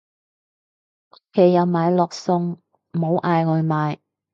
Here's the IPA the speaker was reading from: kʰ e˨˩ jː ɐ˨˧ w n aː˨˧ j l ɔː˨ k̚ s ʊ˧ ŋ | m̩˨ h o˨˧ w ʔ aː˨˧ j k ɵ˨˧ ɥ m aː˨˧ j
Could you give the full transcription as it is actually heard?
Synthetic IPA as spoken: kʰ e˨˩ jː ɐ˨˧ w m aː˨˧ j l ɔː˨ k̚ s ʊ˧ ŋ | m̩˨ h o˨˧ w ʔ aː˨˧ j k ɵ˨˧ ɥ m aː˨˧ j